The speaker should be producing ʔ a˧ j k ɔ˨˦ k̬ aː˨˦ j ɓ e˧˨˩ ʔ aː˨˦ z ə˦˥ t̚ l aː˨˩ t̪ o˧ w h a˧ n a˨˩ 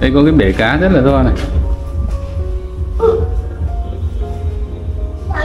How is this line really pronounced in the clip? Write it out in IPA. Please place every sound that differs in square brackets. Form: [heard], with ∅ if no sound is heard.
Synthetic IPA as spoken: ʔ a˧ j k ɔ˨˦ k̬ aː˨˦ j ɓ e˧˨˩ [k] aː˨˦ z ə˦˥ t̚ l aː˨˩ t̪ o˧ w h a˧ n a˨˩